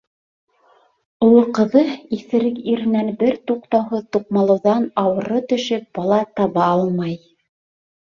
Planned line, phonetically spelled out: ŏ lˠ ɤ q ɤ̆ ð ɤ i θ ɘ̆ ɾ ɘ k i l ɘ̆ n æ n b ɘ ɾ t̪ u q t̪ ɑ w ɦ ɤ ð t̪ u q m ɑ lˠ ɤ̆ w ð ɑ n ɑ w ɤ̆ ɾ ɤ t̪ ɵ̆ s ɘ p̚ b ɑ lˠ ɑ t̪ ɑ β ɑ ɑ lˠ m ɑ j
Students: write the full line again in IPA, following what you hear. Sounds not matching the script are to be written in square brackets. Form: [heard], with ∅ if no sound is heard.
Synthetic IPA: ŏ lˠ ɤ q ɤ̆ ð ɤ i θ ɘ̆ ɾ ɘ k i [ɾ] ɘ̆ n æ n b ɘ ɾ t̪ u q t̪ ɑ w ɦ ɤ ð t̪ u q m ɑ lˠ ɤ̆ w ð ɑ n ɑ w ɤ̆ ɾ ɤ t̪ ɵ̆ [ʃ] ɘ p̚ b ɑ lˠ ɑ t̪ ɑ β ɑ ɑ lˠ m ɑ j